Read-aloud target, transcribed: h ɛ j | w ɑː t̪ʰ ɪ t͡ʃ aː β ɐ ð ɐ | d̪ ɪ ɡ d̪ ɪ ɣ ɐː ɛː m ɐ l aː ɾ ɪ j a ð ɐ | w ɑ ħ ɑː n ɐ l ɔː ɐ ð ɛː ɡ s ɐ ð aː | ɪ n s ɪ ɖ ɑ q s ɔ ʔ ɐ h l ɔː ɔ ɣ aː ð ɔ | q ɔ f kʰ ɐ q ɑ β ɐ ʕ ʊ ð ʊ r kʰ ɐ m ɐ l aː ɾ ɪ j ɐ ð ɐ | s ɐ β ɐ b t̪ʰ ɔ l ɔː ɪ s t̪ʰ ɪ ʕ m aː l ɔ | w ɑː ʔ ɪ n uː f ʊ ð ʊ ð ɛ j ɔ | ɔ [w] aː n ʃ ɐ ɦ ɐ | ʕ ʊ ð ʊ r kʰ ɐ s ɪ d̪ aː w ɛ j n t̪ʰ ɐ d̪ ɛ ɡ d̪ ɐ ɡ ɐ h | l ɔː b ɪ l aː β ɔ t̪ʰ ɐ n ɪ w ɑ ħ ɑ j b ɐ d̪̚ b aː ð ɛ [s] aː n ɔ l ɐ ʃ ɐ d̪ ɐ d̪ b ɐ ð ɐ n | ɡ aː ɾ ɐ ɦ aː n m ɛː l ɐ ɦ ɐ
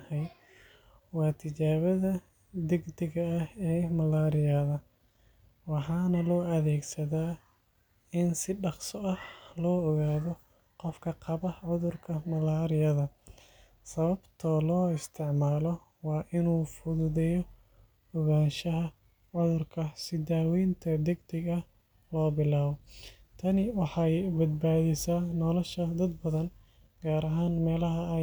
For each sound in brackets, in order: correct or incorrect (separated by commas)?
incorrect, correct